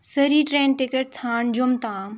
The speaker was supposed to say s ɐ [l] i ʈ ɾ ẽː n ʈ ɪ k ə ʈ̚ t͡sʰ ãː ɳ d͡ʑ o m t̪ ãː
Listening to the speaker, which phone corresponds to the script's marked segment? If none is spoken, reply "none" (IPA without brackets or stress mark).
ɾ